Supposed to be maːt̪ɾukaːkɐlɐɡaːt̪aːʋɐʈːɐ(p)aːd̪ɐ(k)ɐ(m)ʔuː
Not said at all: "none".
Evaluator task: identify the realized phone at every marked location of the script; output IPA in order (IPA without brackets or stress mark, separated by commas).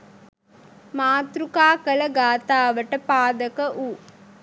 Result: p, k, none